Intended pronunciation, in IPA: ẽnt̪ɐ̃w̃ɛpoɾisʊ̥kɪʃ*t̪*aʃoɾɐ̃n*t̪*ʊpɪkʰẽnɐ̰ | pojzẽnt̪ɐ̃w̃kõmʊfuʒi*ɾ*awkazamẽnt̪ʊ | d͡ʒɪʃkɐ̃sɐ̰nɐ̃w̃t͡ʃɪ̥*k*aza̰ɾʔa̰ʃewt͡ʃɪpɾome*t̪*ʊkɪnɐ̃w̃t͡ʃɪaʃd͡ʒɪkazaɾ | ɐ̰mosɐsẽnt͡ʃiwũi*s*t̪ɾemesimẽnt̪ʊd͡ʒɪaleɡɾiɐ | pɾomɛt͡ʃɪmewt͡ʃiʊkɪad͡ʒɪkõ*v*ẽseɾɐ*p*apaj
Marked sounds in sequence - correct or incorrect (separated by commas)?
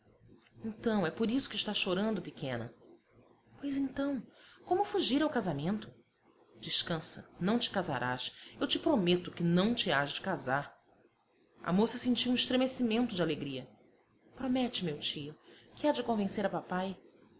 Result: correct, incorrect, correct, correct, correct, incorrect, correct, correct